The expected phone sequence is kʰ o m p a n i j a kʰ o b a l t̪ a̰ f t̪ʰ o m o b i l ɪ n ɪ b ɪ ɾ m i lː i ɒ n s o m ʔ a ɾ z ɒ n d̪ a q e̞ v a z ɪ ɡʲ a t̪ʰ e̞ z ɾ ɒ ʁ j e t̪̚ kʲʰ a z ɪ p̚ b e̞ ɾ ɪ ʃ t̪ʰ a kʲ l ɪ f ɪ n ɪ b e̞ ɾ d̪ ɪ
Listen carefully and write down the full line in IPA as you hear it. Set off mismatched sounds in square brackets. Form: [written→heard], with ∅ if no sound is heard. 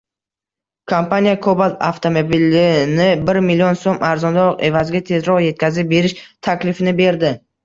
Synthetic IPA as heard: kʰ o m p a n i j a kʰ o b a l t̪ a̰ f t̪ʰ o m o b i l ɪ n ɪ b ɪ ɾ m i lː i [ɒ→o] n s o m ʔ a ɾ z ɒ n d̪ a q e̞ v a z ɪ ɡʲ a t̪ʰ e̞ z ɾ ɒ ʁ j e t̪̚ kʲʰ a z ɪ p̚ b e̞ ɾ ɪ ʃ t̪ʰ a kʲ l ɪ f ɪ n ɪ b e̞ ɾ d̪ ɪ